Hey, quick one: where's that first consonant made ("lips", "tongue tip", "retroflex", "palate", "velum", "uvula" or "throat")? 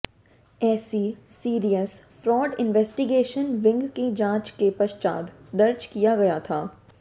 tongue tip